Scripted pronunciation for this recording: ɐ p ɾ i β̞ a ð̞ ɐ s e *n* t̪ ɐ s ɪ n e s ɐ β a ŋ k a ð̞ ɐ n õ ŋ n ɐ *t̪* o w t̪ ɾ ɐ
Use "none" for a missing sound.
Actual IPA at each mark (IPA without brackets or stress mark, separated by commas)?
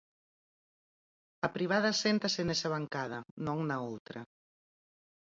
n, none